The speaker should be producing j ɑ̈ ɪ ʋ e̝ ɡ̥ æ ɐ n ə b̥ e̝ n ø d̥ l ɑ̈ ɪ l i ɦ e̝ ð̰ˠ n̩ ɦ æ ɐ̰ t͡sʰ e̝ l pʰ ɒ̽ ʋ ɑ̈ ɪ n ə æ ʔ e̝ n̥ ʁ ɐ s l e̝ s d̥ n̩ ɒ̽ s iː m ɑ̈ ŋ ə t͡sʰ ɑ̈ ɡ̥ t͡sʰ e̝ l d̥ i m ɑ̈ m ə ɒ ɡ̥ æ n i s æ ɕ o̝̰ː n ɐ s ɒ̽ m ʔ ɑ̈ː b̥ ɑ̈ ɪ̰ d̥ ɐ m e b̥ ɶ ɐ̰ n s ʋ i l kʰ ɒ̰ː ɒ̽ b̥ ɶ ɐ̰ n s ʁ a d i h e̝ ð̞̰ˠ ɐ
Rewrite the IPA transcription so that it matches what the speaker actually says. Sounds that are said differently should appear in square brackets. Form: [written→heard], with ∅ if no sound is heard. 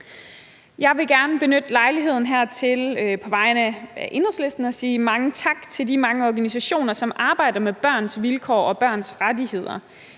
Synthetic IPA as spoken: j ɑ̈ ɪ ʋ e̝ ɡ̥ æ ɐ n ə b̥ e̝ n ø d̥ l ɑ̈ ɪ l i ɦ e̝ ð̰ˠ n̩ ɦ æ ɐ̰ t͡sʰ e̝ l pʰ ɒ̽ ʋ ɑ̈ ɪ n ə æ ʔ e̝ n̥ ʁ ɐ s l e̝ s d̥ n̩ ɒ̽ s iː m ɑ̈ ŋ ə t͡sʰ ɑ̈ ɡ̥ t͡sʰ e̝ l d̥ i m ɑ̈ [m→ŋ] ə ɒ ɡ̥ æ n i s æ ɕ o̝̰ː n ɐ s ɒ̽ m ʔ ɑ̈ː b̥ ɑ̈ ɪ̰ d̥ ɐ m e b̥ ɶ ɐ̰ n s ʋ i l kʰ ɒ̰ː ɒ̽ b̥ ɶ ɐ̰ n s ʁ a d i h e̝ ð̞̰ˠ ɐ